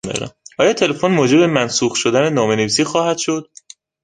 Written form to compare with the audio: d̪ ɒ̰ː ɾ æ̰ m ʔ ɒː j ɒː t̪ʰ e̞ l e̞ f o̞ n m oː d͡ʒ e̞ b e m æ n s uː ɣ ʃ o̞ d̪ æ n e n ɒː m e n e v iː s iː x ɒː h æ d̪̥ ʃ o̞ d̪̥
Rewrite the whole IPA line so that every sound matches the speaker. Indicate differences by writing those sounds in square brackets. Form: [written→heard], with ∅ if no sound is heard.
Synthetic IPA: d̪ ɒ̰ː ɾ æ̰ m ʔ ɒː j ɒː t̪ʰ e̞ l e̞ f o̞ n m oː d͡ʒ e̞ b e m æ n s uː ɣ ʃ o̞ d̪ æ n e n ɒː m e n e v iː s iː x ɒː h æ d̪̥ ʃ o̞ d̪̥